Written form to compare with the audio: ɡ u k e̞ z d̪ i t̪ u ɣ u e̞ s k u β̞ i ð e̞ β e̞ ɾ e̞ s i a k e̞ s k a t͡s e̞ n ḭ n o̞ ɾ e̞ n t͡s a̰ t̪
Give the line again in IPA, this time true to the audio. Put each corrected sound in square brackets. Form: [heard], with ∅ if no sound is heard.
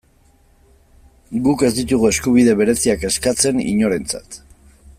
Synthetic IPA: ɡ u k e̞ z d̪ i t̪ u ɣ u e̞ s k u β̞ i ð e̞ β e̞ ɾ e̞ s i a k e̞ s k a t͡s e̞ n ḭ [ɲ] o̞ ɾ e̞ n t͡s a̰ t̪